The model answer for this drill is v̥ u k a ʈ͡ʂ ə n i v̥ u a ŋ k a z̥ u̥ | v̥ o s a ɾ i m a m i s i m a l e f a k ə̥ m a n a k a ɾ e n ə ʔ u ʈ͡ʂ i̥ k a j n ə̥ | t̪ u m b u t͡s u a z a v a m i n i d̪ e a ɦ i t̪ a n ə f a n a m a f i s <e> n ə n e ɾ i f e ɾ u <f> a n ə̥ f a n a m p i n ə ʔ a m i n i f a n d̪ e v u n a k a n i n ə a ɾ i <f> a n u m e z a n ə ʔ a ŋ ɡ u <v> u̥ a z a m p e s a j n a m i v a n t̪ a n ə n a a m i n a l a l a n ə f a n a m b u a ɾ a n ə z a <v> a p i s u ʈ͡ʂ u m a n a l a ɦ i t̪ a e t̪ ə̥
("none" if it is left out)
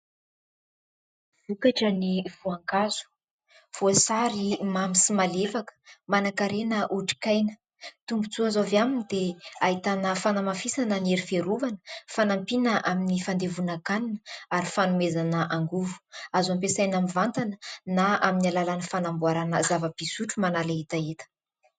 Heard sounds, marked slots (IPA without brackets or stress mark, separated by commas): a, v, f, v, v